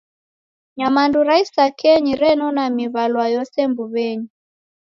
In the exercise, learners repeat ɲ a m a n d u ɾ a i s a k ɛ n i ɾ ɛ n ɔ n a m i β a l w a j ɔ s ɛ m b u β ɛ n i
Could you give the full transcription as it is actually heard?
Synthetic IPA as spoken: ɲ a m a n d u ɾ a i s a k ɛ ɲ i ɾ ɛ n ɔ n a m i β a l w a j ɔ s ɛ m b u β ɛ ɲ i